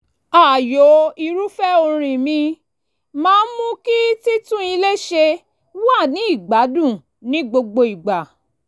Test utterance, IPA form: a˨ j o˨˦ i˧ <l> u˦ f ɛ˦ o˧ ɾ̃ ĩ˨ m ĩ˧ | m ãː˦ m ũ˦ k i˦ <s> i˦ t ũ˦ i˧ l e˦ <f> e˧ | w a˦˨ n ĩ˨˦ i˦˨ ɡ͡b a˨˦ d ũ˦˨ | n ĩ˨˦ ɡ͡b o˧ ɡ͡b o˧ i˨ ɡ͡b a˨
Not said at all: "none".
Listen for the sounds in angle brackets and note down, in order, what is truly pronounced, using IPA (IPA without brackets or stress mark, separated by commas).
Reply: ɾ, t, ʃ